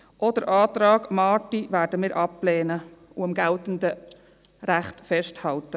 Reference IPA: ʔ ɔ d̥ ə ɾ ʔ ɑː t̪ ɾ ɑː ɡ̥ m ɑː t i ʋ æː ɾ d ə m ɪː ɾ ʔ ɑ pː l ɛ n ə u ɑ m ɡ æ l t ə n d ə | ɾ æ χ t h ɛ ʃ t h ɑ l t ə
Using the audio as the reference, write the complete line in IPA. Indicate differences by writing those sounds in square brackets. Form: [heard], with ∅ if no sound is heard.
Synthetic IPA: ʔ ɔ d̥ ə ɾ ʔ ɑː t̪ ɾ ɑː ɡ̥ m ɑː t i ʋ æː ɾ d ə m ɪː ɾ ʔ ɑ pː l [ɛː] n ə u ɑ m ɡ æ l t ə n d ə | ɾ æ χ t [f] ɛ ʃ t h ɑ l t ə